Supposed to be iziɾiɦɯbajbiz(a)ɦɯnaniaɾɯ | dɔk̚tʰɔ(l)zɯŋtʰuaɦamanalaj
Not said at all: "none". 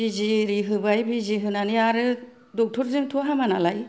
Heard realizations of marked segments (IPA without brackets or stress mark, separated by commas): i, ɾ